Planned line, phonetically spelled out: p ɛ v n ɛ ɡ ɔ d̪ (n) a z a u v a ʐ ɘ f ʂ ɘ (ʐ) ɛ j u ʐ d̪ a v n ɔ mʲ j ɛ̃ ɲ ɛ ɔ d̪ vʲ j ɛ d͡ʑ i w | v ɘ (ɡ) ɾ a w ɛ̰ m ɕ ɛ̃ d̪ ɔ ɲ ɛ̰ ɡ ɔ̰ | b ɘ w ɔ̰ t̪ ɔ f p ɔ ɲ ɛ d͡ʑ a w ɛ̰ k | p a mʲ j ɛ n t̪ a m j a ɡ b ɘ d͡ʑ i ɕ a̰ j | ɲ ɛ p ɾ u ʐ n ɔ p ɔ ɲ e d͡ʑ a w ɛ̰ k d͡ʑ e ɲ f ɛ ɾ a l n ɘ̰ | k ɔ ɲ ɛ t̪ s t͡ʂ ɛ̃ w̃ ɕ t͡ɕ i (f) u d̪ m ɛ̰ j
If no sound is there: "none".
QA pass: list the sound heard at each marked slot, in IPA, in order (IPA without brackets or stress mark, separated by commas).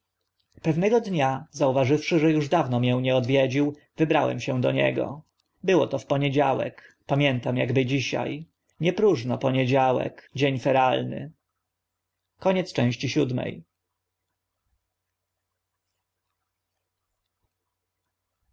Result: ɲ, ʐ, b, ɕ